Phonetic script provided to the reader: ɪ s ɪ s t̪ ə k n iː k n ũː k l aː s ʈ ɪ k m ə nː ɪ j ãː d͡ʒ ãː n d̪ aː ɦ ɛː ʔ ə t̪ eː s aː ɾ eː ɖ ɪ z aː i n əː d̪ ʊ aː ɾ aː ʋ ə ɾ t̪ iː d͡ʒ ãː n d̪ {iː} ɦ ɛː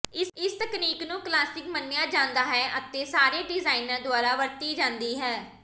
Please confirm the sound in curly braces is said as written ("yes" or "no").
yes